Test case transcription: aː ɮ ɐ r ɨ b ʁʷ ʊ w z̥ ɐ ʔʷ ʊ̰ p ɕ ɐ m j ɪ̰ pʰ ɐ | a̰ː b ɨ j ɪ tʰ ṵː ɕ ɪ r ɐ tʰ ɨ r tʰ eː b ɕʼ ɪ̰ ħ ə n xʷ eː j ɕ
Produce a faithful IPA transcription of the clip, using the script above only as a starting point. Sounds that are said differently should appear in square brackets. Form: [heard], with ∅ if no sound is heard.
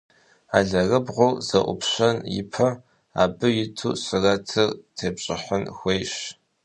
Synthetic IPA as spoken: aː ɮ ɐ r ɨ b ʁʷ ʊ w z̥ ɐ ʔʷ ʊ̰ p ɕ ɐ [n] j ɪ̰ pʰ ɐ | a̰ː b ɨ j ɪ tʰ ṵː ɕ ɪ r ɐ tʰ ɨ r tʰ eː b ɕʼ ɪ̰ ħ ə n xʷ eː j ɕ